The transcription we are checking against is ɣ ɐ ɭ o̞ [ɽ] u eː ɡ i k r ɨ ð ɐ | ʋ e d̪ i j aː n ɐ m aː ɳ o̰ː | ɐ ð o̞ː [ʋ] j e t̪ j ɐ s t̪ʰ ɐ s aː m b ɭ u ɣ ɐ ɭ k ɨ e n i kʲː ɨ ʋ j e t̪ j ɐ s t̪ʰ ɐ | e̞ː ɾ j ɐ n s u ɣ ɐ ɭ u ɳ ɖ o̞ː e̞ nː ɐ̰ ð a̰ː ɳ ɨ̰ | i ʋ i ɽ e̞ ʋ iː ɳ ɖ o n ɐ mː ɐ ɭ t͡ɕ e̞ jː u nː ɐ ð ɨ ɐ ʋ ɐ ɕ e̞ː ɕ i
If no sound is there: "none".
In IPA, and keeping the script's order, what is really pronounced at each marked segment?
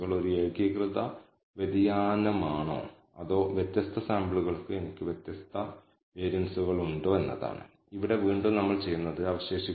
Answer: ɾ, ʋ

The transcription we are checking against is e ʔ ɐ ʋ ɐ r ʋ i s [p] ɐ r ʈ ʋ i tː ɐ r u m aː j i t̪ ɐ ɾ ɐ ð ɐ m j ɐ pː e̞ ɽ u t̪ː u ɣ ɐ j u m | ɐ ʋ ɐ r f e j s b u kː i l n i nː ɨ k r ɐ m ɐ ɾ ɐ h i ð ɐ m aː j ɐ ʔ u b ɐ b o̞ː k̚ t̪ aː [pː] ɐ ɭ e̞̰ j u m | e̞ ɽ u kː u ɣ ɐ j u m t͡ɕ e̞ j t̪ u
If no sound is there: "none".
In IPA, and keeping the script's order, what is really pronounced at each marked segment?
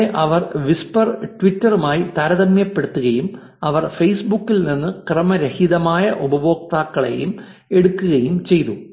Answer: p, kː

